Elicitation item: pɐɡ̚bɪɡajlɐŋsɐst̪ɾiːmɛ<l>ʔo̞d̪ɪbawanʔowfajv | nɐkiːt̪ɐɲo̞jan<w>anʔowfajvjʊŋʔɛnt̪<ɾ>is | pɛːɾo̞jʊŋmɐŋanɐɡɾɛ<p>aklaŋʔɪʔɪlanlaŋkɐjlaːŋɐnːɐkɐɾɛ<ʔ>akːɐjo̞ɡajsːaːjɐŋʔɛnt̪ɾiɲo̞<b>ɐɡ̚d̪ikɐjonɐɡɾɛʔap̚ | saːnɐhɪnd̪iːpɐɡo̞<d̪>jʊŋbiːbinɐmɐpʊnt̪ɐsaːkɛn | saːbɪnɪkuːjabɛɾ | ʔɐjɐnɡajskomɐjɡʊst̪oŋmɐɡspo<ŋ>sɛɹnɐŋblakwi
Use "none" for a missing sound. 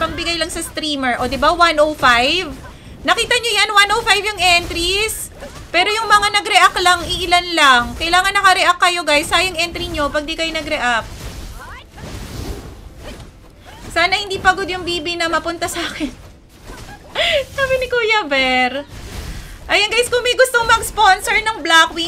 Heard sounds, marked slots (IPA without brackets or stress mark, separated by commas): ɹ, w, ɾ, ʔ, ʔ, p, d̪, n